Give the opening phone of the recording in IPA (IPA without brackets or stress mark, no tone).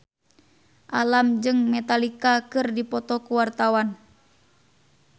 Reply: ʔ